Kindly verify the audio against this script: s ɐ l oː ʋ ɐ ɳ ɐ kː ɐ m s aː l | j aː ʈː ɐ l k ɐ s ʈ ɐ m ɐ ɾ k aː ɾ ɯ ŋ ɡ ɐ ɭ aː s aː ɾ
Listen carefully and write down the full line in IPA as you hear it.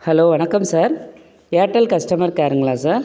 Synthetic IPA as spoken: h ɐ l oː ʋ ɐ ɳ ɐ kː ɐ m s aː ɾ | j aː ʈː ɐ l k ɐ s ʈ ɐ m ɐ ɾ k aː ɾ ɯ ŋ ɡ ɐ ɭ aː s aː ɾ